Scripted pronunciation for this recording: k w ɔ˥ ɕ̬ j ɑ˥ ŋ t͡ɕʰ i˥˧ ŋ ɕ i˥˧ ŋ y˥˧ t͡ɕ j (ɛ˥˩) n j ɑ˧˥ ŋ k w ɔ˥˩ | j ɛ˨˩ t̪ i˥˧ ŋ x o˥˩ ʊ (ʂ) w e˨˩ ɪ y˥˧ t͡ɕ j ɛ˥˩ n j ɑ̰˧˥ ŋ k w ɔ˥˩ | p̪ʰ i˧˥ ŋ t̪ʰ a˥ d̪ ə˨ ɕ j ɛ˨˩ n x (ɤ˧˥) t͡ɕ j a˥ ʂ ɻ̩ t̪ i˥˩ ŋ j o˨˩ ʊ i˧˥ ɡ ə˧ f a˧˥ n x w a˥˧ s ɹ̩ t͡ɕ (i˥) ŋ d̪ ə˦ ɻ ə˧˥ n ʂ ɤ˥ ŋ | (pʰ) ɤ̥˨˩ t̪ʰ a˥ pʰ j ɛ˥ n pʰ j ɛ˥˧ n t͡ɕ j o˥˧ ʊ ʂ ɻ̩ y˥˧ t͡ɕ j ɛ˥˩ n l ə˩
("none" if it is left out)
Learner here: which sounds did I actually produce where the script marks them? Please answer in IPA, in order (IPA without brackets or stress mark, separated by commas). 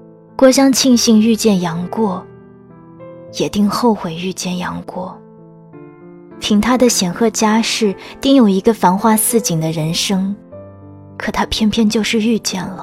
ɛ˥˩, x, ɤ˥˩, i˨˩, kʰ